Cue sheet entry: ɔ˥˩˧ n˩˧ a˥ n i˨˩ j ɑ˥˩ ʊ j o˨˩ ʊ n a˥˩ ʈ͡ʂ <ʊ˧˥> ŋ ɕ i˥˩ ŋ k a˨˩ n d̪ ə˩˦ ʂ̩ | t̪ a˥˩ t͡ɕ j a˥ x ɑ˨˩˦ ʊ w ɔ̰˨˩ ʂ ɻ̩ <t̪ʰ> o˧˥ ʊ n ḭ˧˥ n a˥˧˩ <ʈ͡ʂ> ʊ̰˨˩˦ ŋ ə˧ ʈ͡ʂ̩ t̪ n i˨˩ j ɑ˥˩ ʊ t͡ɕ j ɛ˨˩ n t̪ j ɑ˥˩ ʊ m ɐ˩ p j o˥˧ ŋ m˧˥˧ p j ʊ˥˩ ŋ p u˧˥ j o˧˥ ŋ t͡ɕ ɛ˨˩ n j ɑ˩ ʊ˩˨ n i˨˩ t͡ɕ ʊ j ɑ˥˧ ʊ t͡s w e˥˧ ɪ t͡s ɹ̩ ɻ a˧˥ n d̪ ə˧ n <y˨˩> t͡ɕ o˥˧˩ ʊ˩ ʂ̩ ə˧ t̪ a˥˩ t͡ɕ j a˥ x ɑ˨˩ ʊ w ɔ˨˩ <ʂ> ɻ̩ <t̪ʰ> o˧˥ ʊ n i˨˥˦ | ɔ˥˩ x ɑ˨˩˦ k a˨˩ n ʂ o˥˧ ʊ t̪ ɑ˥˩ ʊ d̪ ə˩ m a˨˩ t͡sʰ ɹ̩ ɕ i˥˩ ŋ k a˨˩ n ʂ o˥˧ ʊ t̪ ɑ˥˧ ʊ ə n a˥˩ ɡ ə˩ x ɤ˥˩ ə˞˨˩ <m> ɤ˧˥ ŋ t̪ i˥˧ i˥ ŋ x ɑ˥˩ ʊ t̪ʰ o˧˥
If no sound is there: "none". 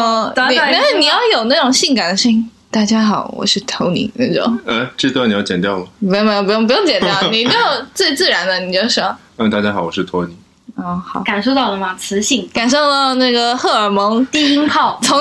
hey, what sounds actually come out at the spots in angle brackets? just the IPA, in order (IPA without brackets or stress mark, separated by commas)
ʊ˨˩, t̪ʰ, ʈ͡ʂ, i˨˩, ʂ, t̪ʰ, m